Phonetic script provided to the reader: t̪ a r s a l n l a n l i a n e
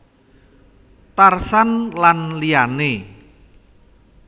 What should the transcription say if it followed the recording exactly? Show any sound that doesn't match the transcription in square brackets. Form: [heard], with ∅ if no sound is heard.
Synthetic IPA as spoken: t̪ a r s a [∅] n l a n l i a n e